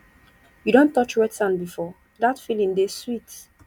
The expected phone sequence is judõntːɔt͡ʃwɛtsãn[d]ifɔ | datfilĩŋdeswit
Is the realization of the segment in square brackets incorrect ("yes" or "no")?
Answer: yes